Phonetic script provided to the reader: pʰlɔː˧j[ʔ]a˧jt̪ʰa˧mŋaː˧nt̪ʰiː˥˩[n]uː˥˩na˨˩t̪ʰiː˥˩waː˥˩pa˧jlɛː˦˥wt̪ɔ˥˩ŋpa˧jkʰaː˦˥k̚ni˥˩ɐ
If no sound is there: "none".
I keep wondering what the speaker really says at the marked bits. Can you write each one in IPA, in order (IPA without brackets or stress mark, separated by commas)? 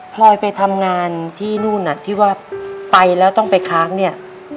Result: p, n